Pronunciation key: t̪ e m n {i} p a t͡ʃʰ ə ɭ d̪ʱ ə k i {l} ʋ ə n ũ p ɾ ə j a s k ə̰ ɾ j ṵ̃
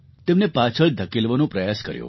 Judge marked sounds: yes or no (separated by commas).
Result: no, yes